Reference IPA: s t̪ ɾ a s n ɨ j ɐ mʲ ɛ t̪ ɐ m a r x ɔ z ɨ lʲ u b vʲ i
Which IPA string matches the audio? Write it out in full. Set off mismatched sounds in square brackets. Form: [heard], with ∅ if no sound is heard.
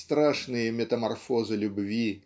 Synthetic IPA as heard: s t̪ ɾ a [ʂ] n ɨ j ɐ mʲ ɛ t̪ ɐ m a r [f] ɔ z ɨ lʲ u b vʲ i